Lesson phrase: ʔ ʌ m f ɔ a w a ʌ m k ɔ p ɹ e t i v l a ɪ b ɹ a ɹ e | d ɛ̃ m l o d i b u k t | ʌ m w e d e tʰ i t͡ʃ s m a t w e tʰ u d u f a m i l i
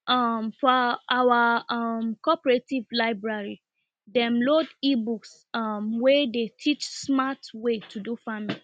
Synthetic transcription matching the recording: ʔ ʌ m f ɔ a w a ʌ m k ɔ p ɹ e t i v l a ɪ b ɹ a ɹ i | d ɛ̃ m l o d i b u k s | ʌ m w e d e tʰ i t͡ʃ s m a t w e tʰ u d u f a m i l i